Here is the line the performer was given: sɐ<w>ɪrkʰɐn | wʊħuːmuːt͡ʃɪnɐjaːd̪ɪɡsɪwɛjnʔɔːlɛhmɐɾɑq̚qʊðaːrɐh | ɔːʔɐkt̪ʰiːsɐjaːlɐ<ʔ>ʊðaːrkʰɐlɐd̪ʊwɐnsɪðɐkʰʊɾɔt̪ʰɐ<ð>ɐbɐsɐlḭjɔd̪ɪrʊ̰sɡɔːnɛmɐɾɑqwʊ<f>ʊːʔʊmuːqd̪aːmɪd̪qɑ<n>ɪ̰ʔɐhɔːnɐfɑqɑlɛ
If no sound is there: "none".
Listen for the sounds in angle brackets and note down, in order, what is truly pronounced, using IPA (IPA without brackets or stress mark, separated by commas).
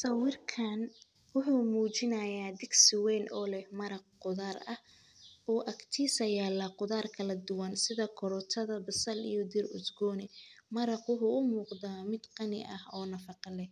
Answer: w, q, ð, ħ, n